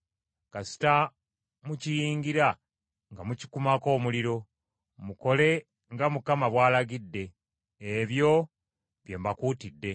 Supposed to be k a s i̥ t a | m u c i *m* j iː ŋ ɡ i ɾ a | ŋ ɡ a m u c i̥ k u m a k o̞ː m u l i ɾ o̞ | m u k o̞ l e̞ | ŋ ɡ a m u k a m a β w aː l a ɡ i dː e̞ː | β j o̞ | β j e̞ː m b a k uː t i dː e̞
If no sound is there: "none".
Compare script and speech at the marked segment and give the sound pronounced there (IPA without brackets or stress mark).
none